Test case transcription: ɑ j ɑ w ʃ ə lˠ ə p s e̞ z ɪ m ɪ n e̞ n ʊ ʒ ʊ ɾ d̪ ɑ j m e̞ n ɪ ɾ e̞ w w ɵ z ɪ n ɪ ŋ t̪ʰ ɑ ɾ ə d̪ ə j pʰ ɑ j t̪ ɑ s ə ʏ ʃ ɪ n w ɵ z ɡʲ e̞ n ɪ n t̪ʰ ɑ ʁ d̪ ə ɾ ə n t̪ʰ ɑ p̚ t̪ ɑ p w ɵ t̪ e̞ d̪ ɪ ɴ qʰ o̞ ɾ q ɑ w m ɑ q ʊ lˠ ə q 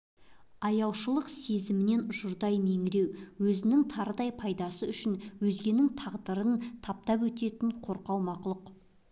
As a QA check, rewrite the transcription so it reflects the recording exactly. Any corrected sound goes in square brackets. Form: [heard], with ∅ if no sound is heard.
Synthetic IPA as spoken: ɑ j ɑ w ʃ ə lˠ ə [q] s e̞ z ɪ m ɪ n e̞ n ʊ ʒ ʊ ɾ d̪ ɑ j m e̞ [ŋ] ɪ ɾ e̞ w w ɵ z ɪ n ɪ ŋ t̪ʰ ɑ ɾ ə d̪ [ɑ] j pʰ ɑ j [d̪] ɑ s ə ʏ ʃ ɪ n w ɵ z ɡʲ e̞ n ɪ [ŋ] t̪ʰ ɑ ʁ d̪ ə ɾ ə n t̪ʰ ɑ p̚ t̪ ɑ p w ɵ t̪ e̞ [t̪] ɪ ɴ qʰ o̞ ɾ q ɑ w m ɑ q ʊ lˠ ə q